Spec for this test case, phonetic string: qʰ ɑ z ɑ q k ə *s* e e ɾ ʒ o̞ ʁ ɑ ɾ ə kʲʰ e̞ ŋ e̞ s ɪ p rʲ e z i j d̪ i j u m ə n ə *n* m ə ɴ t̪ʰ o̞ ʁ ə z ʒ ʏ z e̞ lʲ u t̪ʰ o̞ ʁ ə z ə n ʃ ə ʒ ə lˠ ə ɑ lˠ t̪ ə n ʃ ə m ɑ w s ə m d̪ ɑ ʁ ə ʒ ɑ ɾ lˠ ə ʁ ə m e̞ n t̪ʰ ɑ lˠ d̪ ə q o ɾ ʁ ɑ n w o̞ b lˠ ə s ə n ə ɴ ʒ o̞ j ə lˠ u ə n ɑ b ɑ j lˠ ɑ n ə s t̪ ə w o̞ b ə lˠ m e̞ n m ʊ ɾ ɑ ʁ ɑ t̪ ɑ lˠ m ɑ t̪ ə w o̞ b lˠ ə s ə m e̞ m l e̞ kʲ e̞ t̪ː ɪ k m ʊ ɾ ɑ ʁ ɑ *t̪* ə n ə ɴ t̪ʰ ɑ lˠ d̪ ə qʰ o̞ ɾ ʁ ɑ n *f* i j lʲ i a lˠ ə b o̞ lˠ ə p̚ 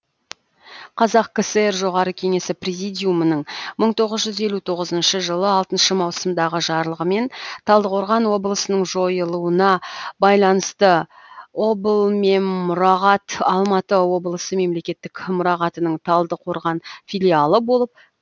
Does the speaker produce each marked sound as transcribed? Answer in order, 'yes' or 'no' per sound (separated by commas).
yes, no, yes, yes